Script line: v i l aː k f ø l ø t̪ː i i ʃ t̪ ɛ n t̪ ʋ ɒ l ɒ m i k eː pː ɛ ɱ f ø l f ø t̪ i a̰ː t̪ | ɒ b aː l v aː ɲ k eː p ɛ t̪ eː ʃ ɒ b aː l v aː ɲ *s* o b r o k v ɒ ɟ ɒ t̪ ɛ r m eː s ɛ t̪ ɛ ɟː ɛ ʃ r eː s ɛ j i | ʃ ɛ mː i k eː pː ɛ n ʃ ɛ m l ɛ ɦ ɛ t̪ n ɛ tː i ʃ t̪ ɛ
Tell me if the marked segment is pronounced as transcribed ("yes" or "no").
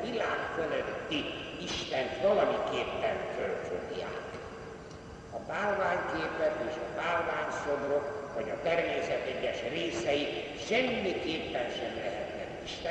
yes